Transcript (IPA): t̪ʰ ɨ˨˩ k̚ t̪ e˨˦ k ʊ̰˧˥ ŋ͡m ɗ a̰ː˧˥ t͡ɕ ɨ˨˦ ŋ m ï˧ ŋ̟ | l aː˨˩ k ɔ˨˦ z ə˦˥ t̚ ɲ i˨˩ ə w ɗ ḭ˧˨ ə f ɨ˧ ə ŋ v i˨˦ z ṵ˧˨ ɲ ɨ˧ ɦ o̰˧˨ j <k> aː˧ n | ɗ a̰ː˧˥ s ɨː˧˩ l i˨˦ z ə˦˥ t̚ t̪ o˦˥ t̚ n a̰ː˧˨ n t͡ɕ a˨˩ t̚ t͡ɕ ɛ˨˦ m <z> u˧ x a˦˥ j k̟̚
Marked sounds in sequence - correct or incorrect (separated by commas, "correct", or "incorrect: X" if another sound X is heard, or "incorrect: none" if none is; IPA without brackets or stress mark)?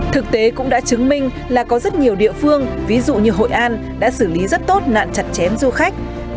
incorrect: ʔ, correct